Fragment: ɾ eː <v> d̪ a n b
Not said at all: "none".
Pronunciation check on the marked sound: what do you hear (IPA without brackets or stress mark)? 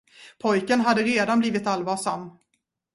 none